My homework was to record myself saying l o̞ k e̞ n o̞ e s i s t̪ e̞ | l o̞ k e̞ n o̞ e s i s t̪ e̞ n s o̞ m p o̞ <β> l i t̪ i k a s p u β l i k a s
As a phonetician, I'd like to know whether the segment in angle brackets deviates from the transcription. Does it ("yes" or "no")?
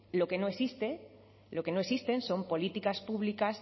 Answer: yes